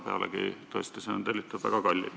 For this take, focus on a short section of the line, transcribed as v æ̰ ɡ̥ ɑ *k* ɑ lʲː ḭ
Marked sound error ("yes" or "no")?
no